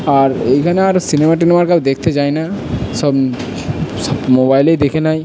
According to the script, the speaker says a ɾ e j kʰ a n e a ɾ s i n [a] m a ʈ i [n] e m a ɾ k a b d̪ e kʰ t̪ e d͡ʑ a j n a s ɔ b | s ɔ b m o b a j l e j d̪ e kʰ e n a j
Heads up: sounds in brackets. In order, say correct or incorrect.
incorrect: e, correct

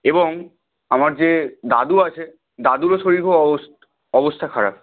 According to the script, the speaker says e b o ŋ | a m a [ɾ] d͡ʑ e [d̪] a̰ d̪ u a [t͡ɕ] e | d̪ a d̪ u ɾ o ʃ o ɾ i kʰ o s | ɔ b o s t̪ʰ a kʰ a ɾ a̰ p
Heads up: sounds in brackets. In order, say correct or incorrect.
correct, correct, incorrect: t͡ɕʰ

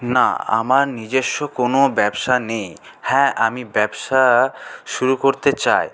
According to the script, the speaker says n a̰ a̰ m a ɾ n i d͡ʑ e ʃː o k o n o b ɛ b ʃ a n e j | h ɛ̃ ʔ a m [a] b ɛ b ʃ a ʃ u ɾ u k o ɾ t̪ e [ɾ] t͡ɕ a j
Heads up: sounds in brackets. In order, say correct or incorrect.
incorrect: i, incorrect: none

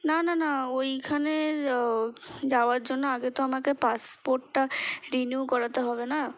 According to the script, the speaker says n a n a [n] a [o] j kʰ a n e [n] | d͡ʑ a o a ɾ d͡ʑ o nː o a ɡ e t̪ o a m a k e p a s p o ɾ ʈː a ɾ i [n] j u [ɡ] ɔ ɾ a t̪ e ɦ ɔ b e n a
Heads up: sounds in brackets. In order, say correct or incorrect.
correct, correct, incorrect: none, correct, incorrect: k

